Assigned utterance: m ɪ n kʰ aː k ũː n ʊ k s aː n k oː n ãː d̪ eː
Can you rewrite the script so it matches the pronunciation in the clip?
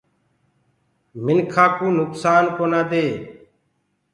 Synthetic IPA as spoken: m ɪ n kʰ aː k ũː n ʊ k s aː n k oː n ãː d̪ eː